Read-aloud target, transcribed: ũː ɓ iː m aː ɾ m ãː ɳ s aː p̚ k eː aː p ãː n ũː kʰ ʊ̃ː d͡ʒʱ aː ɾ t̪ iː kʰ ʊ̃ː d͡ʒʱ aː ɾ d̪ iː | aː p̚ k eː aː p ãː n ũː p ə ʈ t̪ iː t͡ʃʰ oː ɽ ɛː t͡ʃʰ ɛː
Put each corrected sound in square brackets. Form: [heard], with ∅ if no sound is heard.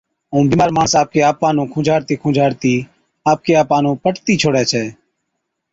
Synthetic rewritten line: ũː [b] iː m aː ɾ m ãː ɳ s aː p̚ k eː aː p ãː n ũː kʰ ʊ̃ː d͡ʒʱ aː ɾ t̪ iː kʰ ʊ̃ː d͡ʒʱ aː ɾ [t̪] iː | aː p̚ k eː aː p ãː n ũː p ə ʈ t̪ iː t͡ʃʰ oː ɽ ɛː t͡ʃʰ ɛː